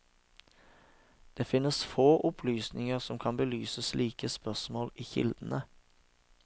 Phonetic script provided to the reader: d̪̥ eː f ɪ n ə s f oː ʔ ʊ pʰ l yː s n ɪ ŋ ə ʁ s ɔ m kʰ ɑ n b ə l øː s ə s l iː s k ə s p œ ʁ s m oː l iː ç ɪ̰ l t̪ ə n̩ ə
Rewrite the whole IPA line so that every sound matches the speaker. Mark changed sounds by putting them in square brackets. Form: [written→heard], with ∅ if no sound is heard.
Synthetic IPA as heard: d̪̥ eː f ɪ n ə s f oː ʔ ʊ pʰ l yː s n ɪ ŋ ə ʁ s ɔ m kʰ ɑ n b ə l [øː→yː] s ə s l iː [s→∅] k ə s p œ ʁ s m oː l iː ç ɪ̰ l [t̪→d̪] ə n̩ ə